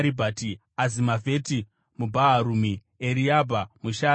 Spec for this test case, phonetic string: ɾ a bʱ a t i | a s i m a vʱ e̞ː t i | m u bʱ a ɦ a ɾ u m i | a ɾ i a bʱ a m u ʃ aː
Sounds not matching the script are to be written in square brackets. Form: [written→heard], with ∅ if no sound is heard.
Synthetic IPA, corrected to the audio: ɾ [a→i] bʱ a t i | a [s→z] i m a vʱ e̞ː t i | m u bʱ a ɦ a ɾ u m i | [a→e] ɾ i a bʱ a m u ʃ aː